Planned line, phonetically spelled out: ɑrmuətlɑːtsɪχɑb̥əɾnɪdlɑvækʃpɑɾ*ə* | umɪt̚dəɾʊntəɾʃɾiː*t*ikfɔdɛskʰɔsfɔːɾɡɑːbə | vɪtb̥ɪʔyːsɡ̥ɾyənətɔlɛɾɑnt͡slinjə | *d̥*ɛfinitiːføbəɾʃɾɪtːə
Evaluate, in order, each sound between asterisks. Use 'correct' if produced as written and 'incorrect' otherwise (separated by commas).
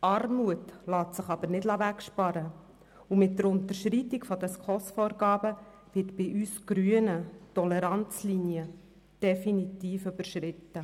correct, correct, correct